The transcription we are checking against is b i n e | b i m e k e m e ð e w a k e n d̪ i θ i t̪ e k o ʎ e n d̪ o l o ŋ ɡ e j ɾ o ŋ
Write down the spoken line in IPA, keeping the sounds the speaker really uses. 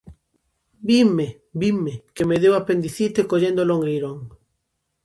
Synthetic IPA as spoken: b i m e | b i m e k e m e ð e w a p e n d̪ i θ i t̪ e k o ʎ e n d̪ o l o ŋ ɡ e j ɾ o ŋ